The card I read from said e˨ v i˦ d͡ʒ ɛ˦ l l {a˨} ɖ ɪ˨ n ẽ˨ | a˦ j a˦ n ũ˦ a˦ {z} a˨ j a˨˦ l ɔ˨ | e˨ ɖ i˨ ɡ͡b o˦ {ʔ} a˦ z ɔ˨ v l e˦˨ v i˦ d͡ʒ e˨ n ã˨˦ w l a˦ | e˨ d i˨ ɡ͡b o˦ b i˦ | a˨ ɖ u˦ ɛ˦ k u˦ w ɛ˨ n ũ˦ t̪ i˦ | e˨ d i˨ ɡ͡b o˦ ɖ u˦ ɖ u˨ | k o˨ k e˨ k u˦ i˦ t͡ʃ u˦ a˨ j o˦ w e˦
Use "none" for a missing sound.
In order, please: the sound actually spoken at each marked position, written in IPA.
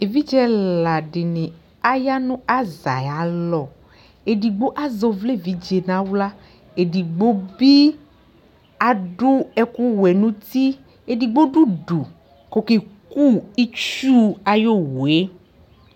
a˨, z, ʔ

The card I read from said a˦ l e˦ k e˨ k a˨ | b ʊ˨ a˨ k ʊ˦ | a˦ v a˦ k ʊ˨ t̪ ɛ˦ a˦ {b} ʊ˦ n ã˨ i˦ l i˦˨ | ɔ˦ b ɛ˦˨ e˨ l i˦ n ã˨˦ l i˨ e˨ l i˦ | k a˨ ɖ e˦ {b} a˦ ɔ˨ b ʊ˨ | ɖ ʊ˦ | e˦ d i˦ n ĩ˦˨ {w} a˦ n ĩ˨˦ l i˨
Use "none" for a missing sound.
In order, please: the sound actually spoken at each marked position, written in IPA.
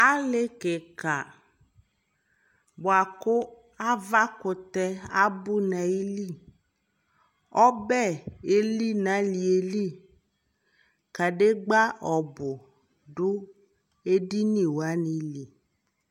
b, ɡ͡b, w

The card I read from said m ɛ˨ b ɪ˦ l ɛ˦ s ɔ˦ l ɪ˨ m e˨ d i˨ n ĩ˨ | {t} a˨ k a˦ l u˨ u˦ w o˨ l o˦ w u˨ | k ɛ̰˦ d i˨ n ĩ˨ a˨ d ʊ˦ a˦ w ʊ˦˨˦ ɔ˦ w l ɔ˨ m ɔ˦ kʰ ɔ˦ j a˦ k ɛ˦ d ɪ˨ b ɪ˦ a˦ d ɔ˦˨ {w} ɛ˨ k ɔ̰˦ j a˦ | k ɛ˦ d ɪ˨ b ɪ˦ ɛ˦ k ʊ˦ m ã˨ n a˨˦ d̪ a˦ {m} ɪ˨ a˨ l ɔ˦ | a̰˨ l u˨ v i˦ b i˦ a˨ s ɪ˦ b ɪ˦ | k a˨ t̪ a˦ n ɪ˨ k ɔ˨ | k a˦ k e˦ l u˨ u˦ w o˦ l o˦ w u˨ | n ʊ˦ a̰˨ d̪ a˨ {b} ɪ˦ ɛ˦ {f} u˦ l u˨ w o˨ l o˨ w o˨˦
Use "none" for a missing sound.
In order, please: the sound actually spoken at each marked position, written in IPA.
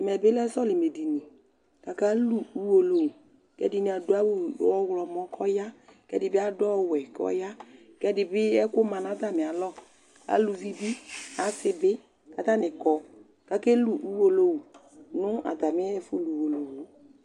k, w, m, m, f

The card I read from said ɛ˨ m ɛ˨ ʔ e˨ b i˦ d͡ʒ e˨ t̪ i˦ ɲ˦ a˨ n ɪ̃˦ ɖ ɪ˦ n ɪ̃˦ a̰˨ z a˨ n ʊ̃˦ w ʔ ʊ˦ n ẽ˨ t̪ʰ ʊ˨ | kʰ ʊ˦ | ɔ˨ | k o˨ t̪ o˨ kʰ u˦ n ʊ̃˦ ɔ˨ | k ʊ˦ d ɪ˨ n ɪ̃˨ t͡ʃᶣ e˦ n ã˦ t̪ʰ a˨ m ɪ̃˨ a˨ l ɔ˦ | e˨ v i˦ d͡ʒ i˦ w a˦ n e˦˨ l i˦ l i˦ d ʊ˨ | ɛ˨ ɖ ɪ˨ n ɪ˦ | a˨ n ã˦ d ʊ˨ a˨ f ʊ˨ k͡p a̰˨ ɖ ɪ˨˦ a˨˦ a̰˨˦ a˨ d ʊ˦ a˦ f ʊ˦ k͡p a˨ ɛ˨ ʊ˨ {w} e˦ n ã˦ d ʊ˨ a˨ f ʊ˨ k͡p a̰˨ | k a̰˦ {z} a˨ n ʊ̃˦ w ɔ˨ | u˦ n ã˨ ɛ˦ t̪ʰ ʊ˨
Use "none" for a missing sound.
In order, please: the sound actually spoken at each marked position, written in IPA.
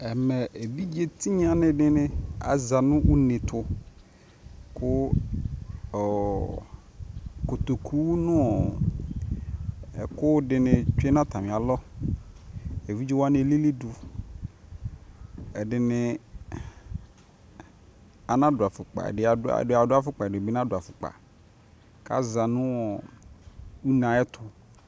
b, z

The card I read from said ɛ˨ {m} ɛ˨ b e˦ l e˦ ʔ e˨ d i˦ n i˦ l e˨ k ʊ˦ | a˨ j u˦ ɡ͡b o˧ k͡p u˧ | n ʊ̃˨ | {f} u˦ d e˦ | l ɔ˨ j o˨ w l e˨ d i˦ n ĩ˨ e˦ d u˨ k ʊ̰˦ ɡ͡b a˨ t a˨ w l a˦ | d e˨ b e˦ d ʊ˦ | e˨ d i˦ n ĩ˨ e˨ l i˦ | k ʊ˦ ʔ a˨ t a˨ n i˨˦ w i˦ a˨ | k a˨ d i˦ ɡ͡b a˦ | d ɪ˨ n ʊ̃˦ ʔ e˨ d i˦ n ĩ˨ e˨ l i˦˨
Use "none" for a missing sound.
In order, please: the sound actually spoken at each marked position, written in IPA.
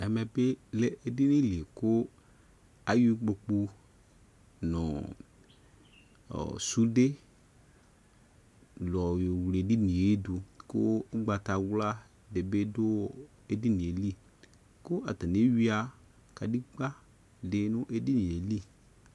m, s

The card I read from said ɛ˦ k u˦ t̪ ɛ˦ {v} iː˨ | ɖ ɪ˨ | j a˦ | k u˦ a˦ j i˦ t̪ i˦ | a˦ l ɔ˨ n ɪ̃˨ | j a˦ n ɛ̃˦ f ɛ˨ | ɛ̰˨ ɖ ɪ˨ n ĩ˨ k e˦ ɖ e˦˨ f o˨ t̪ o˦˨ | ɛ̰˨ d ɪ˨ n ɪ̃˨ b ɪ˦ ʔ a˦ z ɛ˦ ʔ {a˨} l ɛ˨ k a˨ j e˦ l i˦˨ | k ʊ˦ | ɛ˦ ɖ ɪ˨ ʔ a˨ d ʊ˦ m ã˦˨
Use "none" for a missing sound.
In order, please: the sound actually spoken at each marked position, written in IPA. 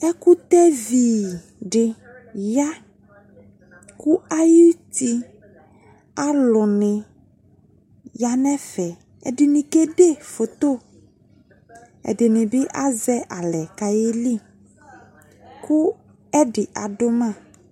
v, a˨

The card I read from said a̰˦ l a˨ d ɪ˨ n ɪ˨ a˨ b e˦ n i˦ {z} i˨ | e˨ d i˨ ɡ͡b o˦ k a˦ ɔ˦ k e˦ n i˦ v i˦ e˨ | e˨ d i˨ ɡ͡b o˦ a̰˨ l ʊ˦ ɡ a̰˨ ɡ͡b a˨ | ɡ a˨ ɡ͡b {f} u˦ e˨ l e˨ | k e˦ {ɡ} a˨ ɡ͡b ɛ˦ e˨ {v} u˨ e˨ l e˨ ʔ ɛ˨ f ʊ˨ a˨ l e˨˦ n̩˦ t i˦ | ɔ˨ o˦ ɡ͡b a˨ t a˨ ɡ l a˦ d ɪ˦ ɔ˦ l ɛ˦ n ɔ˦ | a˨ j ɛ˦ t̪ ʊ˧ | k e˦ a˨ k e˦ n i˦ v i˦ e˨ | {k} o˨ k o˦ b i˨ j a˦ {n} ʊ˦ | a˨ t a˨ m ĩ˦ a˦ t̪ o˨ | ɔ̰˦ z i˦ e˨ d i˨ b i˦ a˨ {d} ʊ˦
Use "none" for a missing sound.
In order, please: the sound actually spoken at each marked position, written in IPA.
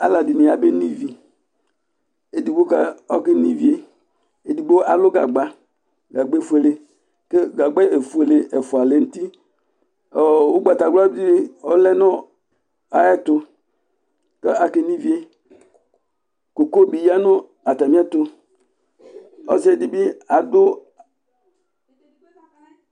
v, f, ɡ, f, k, n, d

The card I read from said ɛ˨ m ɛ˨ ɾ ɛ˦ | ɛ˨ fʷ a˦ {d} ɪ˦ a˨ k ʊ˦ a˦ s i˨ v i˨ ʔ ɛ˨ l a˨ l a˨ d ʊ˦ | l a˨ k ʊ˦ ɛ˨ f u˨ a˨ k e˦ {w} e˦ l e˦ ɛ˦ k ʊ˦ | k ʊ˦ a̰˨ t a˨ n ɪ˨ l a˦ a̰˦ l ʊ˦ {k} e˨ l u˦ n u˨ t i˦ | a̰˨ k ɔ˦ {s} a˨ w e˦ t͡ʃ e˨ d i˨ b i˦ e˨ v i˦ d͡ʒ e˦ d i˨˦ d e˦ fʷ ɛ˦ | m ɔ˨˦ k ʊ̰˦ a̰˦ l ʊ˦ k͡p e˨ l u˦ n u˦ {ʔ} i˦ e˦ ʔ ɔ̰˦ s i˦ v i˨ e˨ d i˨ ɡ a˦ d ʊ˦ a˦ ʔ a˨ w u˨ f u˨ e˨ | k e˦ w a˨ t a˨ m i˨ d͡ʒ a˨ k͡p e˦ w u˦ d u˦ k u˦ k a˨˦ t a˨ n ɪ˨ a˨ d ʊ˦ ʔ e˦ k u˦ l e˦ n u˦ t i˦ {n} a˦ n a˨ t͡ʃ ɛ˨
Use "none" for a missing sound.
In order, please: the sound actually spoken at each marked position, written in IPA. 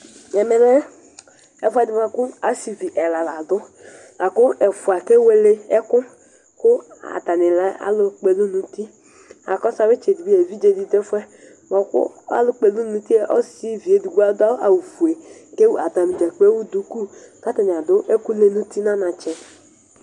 d, w, k͡p, s, t, n

